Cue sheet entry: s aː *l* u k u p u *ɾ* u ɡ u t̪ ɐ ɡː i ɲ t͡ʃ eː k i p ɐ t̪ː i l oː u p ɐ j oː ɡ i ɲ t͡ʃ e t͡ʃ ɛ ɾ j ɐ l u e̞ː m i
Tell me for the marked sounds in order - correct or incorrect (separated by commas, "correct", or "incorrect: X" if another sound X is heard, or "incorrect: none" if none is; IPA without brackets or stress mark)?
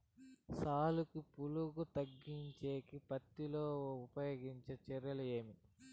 correct, incorrect: l